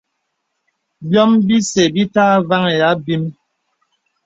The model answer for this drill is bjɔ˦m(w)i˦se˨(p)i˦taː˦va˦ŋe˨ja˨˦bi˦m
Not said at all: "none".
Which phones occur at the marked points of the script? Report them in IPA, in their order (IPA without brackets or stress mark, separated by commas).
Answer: b, b